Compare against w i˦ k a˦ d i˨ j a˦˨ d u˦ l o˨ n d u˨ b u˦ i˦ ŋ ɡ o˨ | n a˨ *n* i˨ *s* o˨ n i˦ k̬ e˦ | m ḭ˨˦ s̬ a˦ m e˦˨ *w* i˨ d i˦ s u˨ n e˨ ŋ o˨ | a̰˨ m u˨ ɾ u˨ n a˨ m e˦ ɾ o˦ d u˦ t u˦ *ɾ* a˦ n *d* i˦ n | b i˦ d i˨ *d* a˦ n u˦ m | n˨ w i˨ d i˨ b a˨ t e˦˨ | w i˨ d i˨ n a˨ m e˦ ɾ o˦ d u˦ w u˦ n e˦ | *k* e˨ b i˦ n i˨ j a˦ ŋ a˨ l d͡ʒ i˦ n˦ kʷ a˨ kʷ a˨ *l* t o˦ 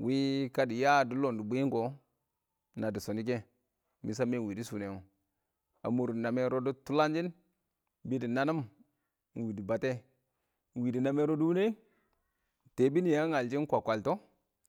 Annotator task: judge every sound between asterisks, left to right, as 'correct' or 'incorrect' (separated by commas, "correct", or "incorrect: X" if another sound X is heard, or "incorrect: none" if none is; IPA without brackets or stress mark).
incorrect: d, correct, correct, incorrect: l, incorrect: d͡ʒ, incorrect: n, incorrect: t, correct